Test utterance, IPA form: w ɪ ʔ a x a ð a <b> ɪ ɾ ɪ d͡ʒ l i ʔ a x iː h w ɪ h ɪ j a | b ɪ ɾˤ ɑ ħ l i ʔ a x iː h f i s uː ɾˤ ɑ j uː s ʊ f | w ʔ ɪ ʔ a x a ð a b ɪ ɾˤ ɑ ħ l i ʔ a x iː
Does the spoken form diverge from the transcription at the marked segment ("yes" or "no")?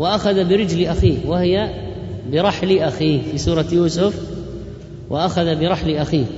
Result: no